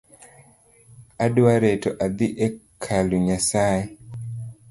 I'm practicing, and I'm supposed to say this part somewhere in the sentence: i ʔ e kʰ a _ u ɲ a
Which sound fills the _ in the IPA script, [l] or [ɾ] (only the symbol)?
l